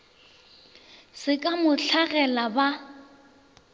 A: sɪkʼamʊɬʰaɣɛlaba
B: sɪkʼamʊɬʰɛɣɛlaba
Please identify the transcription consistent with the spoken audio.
A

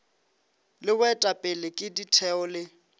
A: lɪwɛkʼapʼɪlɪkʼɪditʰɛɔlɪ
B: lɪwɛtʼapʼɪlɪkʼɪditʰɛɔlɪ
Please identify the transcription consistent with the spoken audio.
B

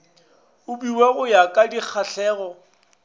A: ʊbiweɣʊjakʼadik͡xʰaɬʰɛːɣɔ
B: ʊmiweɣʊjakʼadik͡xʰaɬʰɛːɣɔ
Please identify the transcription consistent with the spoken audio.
A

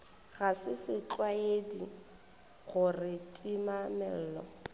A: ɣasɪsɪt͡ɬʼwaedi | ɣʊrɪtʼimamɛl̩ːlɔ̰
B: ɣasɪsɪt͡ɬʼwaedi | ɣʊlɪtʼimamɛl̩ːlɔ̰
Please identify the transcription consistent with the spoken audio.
A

